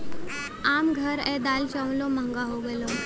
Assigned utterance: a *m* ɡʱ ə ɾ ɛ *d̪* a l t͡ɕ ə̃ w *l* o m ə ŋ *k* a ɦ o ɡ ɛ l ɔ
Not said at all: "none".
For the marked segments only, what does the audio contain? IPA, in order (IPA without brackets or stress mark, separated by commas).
m, d̪, l, ɡ